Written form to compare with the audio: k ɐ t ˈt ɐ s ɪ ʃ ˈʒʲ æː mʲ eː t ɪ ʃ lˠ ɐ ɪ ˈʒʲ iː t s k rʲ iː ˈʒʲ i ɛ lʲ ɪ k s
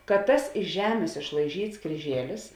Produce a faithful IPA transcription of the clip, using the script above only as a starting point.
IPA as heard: k ɐ t ˈt ɐ s ɪ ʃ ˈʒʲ æː mʲ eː s ɪ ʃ lˠ ɐ ɪ ˈʒʲ iː t s k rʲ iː ˈʒʲ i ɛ lʲ ɪ s

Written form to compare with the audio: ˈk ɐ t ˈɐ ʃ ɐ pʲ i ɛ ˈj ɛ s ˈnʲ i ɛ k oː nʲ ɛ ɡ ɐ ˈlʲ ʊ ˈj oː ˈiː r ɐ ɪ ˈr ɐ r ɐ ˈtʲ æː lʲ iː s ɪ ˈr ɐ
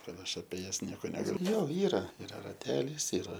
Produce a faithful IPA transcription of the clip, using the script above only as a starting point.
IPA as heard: ˈk ɐ t ˈɐ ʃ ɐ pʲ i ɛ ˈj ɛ s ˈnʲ i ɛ k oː nʲ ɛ ɡ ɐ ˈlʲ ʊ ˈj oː ˈiː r ɐ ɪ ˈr ɐ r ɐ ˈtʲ æː lʲ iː s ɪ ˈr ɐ

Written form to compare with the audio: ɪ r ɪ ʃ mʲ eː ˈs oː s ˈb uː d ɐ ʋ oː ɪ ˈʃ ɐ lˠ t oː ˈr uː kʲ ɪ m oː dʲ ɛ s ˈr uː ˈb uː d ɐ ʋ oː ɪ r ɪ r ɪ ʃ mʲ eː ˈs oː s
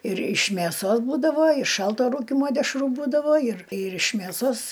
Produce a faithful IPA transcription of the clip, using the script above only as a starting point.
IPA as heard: ɪ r ɪ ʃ mʲ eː ˈs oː s ˈb uː d ɐ ʋ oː ɪ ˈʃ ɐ lˠ t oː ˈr uː kʲ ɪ m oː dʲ ɛ ʃ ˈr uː ˈb uː d ɐ ʋ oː ɪ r ɪ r ɪ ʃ mʲ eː ˈs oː s

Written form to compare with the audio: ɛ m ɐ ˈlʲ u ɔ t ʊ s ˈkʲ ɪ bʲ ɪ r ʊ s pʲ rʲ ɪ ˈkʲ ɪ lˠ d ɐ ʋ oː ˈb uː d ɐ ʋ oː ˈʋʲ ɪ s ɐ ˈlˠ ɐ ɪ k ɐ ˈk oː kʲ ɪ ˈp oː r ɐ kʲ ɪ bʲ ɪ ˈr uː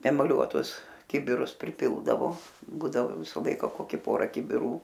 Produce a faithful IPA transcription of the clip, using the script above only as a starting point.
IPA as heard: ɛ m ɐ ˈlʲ u ɔ t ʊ s ˈkʲ ɪ bʲ ɪ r ʊ s pʲ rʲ ɪ ˈpʲ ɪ lˠ d ɐ ʋ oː ˈb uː d ɐ ʋ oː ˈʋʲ ɪ s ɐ ˈlˠ ɐ ɪ k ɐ ˈk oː kʲ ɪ ˈp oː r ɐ kʲ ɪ bʲ ɪ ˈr uː

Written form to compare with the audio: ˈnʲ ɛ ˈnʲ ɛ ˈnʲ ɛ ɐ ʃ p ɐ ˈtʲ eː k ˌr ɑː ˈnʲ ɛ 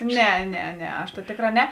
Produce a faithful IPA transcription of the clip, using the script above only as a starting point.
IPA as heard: ˈnʲ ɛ ˈnʲ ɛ ˈnʲ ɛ ɐ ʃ t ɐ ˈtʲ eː k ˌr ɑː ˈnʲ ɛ

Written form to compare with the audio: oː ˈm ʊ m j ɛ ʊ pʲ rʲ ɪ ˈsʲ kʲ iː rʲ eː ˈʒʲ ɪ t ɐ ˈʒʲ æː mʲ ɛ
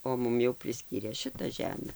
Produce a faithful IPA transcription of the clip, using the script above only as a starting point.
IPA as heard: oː ˈm ʊ m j ɛ ʊ pʲ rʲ ɪ ˈsʲ kʲ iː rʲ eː ˈʃʲ ɪ t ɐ ˈʒʲ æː mʲ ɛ

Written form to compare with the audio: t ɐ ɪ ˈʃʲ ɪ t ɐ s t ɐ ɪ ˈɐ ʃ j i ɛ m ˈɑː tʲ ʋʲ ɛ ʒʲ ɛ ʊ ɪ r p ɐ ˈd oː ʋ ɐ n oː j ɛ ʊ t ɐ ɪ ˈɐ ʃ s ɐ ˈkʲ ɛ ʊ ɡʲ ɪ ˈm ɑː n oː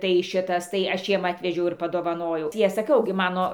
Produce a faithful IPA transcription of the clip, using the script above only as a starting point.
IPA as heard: t ɐ ɪ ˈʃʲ ɪ t ɐ s t ɐ ɪ ˈɐ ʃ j i ɛ m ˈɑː tʲ ʋʲ ɛ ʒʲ ɛ ʊ ɪ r p ɐ ˈd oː ʋ ɐ n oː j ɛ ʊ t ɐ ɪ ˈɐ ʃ s ɐ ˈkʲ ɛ ʊ ɡʲ ɪ ˈm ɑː n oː

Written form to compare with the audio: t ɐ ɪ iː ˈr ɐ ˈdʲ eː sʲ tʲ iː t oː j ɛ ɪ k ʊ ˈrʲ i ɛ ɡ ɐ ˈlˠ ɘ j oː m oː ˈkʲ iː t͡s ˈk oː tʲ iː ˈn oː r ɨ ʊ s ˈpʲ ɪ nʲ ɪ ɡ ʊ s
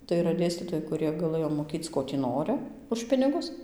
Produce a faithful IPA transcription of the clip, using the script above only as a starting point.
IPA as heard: t ɐ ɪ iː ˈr ɐ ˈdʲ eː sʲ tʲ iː t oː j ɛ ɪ k ʊ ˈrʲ i ɛ ɡ ɐ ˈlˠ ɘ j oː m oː ˈkʲ iː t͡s ˈk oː tʲ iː ˈn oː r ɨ ʊ ʃ ˈpʲ ɪ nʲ ɪ ɡ ʊ s

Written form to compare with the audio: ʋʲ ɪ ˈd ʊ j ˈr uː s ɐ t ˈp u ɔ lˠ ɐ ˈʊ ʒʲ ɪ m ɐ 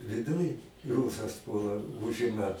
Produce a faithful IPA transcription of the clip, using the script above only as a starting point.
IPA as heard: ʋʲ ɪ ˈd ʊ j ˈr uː s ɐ s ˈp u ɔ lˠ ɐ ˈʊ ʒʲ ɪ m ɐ

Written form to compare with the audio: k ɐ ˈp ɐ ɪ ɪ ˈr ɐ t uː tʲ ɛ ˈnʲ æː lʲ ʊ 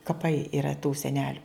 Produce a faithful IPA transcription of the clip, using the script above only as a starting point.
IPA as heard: k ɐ ˈp ɐ ɪ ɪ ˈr ɐ t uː sʲ ɛ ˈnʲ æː lʲ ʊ

